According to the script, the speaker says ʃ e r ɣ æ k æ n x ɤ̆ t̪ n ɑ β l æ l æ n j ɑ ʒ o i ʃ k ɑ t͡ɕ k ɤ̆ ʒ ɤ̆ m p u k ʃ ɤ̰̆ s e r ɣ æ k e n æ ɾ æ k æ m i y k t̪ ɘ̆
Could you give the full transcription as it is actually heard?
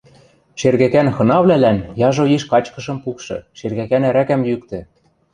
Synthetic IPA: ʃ e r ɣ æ k æ n x ɤ̆ n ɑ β l æ l æ n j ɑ ʒ o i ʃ k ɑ t͡ɕ k ɤ̆ ʃ ɤ̆ m p u k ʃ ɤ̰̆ ʃ e r ɣ æ k æ n æ ɾ æ k æ m j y k t̪ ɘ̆